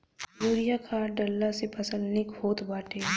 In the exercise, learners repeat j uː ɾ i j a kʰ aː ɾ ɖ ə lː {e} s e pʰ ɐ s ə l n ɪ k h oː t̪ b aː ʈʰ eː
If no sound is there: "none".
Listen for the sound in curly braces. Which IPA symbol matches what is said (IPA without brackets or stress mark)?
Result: a